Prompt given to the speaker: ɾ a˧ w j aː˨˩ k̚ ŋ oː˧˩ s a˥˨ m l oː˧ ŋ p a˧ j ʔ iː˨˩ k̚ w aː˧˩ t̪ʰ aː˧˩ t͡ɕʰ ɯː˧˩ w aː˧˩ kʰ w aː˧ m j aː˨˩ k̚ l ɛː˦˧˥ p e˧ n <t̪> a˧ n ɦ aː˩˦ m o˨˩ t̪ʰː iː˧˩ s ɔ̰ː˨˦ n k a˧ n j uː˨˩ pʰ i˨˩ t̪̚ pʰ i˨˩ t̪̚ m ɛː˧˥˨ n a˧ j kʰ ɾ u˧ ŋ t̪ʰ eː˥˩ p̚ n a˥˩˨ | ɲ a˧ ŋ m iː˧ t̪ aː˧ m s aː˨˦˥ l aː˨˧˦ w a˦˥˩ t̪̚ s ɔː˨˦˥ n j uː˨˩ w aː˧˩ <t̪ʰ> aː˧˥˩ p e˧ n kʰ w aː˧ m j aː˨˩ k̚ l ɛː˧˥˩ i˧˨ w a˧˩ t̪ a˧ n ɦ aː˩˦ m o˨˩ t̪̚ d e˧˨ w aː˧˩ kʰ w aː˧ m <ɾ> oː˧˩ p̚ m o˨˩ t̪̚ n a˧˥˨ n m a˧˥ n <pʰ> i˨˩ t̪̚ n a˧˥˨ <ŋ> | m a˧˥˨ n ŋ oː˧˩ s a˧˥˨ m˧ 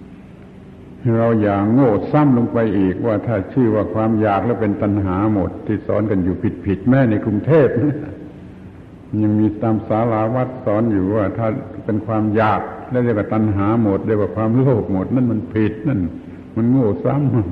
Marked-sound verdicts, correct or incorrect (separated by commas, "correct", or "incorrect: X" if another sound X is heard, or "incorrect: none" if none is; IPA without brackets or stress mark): correct, correct, incorrect: l, correct, incorrect: n